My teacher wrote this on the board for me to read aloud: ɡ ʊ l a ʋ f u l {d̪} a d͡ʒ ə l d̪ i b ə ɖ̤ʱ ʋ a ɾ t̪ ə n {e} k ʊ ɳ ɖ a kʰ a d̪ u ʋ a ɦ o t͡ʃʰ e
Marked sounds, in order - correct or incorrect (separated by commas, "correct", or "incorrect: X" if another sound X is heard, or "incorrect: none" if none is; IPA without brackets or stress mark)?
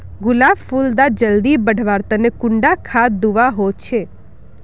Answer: correct, correct